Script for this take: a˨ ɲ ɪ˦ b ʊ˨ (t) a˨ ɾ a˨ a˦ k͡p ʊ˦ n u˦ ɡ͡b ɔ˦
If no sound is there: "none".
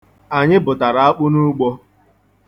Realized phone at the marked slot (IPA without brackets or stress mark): t